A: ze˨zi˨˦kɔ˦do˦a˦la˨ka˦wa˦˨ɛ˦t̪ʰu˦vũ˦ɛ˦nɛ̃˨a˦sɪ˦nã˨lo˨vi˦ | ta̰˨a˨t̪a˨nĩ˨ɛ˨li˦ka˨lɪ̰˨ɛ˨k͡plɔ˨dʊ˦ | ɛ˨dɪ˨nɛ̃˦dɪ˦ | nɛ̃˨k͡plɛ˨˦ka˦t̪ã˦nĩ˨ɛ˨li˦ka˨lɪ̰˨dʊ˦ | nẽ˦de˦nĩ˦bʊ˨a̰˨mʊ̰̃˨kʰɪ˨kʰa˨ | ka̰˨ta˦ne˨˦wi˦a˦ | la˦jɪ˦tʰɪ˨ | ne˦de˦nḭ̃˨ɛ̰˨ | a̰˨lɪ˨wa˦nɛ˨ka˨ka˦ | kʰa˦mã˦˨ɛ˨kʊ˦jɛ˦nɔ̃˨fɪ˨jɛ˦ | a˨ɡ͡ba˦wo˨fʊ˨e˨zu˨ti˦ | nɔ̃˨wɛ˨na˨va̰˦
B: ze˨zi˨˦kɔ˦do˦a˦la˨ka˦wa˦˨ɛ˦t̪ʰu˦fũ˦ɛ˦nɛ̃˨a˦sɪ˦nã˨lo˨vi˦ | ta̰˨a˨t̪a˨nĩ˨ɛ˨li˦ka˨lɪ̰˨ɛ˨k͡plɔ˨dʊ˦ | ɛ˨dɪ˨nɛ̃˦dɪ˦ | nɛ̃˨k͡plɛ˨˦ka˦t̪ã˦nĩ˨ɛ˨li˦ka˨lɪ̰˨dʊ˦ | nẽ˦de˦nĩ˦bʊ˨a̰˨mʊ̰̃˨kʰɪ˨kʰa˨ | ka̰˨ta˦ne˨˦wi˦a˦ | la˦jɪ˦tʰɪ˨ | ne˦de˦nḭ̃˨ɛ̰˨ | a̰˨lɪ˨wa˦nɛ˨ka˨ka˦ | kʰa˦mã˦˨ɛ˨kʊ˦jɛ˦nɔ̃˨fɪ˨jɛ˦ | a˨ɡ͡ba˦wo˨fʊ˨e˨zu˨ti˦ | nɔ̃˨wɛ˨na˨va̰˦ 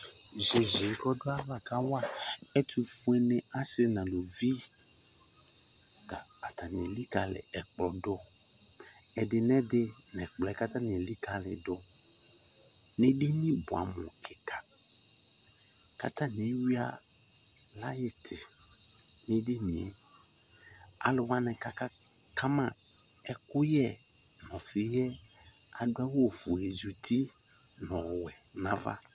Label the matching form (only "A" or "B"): B